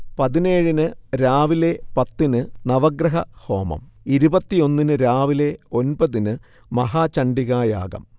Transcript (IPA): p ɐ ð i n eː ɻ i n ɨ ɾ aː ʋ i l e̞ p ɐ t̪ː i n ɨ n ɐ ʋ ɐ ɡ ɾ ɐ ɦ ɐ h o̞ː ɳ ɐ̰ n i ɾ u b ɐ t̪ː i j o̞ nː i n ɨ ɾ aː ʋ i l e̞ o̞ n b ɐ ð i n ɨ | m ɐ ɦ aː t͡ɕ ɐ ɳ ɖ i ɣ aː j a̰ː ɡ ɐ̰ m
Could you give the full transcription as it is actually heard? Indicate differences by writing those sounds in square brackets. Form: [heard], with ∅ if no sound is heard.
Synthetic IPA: p ɐ ð i n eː ɻ i n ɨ ɾ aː ʋ i l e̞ p ɐ t̪ː i n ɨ n ɐ ʋ ɐ ɡ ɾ ɐ ɦ ɐ h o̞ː [m] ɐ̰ [m] i ɾ u b ɐ t̪ː i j o̞ nː i n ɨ ɾ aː ʋ i l e̞ o̞ n b ɐ ð i n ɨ | m ɐ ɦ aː t͡ɕ ɐ ɳ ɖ i ɣ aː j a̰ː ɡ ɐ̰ m